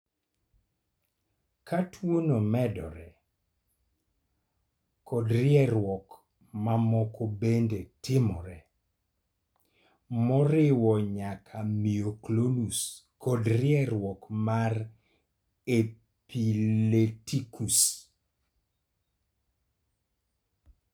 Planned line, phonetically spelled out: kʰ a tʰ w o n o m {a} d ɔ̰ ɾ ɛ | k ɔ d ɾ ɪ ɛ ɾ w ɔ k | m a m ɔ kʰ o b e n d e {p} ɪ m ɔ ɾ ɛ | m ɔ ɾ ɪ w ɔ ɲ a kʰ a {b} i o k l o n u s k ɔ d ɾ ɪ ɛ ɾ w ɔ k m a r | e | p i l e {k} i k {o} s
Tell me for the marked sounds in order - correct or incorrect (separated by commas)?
incorrect, incorrect, incorrect, incorrect, incorrect